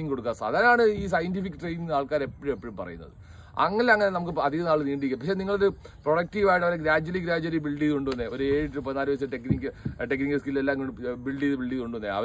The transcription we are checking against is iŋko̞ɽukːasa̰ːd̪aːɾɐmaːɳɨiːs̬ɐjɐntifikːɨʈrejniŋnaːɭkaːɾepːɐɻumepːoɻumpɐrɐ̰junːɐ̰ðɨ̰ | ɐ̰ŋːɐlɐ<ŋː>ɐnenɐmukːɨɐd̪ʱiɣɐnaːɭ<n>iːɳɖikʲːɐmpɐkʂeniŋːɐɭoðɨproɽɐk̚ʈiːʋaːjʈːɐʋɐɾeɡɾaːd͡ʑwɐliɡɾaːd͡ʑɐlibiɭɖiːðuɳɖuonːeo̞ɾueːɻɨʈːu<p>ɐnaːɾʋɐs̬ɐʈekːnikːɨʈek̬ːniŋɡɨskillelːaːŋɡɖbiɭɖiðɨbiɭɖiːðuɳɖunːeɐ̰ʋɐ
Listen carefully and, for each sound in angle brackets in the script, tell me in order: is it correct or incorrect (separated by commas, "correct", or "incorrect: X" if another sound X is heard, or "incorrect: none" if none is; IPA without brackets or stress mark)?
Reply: correct, correct, correct